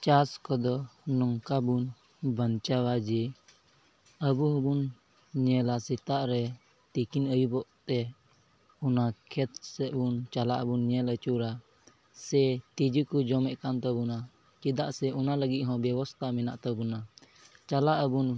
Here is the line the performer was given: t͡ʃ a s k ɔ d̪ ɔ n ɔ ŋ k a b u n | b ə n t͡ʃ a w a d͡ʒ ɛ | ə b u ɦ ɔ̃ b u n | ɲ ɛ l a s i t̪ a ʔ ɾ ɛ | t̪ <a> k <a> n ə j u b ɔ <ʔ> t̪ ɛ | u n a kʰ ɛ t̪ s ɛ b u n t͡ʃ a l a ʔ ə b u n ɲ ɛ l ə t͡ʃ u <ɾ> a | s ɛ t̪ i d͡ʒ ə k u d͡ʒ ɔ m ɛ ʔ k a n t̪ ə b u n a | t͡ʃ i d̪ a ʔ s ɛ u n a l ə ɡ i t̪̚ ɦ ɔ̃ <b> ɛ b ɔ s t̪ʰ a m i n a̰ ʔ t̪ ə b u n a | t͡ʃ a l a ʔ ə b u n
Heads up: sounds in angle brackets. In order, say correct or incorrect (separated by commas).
incorrect, incorrect, correct, correct, correct